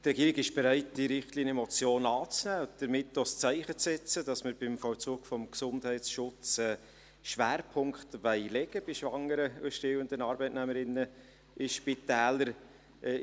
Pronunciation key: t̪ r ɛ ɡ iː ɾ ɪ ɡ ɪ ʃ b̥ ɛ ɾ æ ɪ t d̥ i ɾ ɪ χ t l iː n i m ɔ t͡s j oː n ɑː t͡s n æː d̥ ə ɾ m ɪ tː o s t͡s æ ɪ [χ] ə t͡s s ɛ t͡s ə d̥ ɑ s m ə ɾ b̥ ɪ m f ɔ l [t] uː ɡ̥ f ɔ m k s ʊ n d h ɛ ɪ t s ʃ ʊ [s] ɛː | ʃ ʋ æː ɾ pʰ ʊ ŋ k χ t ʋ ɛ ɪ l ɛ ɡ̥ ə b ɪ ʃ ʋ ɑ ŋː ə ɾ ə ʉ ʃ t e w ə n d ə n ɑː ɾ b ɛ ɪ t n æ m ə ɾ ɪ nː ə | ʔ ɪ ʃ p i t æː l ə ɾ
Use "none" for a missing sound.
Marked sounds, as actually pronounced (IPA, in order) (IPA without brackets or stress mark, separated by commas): χ, t͡s, t͡s